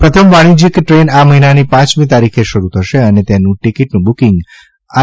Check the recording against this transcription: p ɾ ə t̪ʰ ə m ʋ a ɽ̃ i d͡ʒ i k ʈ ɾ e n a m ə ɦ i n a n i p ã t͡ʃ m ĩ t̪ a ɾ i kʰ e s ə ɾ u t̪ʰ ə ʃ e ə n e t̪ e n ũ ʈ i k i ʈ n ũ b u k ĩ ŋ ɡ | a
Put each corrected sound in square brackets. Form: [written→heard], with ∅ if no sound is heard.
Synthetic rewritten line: p ɾ ə t̪ʰ ə m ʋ a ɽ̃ i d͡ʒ i k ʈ ɾ e n a m ə ɦ i n a n i p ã t͡ʃ m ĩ t̪ a ɾ i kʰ e [s→ʃ] ə ɾ u t̪ʰ ə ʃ e ə n e t̪ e n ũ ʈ i k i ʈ n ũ b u k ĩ ŋ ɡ | a